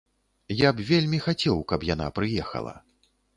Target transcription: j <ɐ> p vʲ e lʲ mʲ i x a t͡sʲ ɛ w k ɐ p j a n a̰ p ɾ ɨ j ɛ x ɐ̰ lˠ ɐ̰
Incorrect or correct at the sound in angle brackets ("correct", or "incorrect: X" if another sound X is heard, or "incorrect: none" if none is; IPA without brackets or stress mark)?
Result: incorrect: a